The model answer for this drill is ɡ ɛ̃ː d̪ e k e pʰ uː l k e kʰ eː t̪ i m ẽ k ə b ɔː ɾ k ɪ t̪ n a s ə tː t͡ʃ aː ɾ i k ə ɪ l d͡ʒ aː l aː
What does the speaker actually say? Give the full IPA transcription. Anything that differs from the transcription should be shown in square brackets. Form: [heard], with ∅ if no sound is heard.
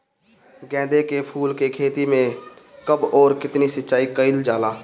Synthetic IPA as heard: ɡ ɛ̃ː d̪ e k e pʰ uː l k e kʰ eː t̪ i m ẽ k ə b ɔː ɾ k ɪ t̪ n [i] s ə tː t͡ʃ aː [∅] i k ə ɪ l d͡ʒ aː l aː